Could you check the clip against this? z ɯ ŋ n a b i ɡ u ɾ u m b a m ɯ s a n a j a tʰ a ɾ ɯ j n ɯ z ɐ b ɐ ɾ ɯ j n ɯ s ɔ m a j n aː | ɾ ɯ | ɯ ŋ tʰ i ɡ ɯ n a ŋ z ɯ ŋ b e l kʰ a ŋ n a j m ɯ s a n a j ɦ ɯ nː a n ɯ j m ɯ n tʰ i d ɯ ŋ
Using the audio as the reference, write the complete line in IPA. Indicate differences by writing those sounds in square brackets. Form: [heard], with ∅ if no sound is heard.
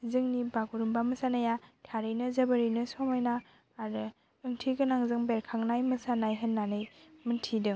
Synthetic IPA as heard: z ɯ ŋ n [i] b [a] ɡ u ɾ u m b a m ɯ s a n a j a tʰ a ɾ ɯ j n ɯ z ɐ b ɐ ɾ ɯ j n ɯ s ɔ m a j n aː | ɾ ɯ | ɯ ŋ tʰ i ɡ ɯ n a ŋ z ɯ ŋ b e [ɾ] kʰ a ŋ n a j m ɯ s a n a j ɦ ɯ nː a n ɯ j m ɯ n tʰ i d ɯ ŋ